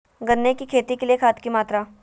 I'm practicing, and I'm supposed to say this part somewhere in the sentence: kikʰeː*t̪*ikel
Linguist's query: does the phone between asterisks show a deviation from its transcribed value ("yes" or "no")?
no